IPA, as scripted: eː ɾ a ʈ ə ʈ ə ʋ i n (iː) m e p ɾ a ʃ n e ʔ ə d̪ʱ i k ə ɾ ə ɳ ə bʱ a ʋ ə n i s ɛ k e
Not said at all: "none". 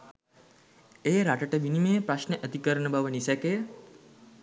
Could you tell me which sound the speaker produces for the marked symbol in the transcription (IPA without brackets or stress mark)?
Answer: i